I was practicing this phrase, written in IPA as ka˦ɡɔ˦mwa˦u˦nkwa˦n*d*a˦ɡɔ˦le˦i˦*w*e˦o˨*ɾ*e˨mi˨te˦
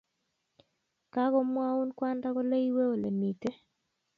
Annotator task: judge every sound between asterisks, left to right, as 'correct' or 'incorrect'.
correct, correct, incorrect

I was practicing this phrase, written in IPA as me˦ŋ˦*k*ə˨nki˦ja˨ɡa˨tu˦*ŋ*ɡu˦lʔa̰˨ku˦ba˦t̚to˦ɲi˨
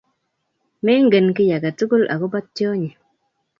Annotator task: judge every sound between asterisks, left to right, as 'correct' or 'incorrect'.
incorrect, incorrect

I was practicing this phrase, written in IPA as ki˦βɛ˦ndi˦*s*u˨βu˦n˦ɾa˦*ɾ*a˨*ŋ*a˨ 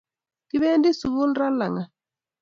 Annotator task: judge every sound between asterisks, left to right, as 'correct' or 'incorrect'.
correct, incorrect, correct

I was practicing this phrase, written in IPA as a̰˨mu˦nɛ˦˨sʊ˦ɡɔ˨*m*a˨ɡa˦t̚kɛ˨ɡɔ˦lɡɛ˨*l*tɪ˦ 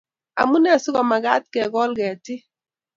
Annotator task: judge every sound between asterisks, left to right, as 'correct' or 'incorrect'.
correct, incorrect

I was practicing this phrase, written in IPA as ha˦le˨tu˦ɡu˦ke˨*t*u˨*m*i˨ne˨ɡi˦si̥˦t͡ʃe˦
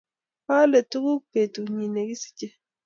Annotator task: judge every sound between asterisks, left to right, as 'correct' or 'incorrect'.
correct, incorrect

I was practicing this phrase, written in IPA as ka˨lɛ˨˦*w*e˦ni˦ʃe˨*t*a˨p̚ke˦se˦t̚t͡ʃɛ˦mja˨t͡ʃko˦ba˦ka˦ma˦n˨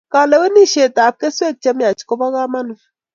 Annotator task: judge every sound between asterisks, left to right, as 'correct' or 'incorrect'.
correct, correct

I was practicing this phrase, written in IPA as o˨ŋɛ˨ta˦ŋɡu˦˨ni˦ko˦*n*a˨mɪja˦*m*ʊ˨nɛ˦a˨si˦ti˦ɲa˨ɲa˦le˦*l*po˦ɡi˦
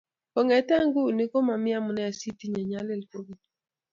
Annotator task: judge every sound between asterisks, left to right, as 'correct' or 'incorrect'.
incorrect, correct, correct

